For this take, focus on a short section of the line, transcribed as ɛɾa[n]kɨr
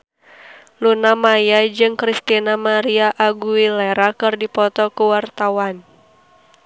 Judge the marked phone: incorrect: none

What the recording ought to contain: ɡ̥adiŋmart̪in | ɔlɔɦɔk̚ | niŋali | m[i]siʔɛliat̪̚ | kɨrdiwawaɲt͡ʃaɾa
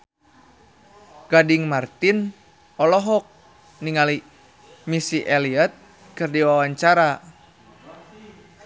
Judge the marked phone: correct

